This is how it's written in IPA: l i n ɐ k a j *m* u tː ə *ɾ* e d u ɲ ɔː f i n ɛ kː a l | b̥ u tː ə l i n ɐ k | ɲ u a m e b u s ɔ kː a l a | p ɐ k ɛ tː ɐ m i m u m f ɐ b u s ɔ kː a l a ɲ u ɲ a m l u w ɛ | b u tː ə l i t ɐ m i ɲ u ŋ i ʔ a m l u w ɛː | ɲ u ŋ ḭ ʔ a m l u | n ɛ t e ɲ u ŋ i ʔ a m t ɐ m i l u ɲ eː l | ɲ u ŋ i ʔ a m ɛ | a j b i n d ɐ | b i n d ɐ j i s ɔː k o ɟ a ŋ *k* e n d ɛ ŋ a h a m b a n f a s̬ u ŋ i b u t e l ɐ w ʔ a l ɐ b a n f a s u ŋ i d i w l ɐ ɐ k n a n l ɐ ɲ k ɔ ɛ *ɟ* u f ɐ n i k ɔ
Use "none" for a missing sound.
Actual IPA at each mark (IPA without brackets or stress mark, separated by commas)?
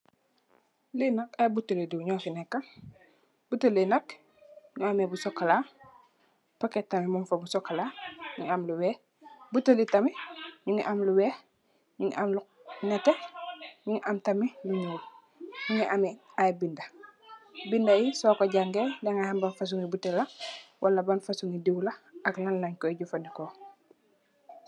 b, l, ɡ, ɟ